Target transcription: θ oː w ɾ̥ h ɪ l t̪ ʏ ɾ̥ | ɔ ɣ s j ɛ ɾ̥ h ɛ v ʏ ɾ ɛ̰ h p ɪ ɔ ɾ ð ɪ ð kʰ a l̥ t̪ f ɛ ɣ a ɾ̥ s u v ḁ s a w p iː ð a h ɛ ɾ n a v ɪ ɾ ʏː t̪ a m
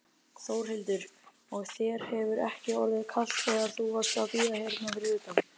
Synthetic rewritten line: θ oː w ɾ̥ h ɪ l t̪ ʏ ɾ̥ | ɔ ɣ θ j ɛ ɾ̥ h ɛ v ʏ ɾ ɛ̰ h c ɪ ɔ ɾ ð ɪ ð kʰ a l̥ t̪ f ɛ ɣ a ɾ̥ θ u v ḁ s a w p iː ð a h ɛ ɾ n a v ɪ ɾ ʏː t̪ a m